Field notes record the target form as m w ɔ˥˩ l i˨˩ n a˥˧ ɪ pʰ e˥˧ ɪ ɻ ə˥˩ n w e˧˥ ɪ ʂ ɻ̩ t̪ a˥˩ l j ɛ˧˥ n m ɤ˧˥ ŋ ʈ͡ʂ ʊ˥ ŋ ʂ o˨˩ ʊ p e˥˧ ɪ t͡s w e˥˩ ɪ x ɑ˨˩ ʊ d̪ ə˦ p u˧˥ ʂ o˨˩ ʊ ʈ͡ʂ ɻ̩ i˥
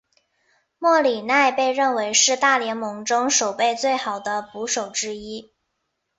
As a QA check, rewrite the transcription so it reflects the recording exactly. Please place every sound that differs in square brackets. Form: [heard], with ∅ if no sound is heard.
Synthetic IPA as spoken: m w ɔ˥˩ l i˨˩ n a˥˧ ɪ [p] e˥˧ ɪ ɻ ə˥˩ n w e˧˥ ɪ ʂ ɻ̩ t̪ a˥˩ l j ɛ˧˥ n m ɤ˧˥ ŋ ʈ͡ʂ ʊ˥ ŋ ʂ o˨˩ ʊ p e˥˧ ɪ t͡s w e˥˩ ɪ x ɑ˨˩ ʊ d̪ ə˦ p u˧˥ ʂ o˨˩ ʊ ʈ͡ʂ ɻ̩ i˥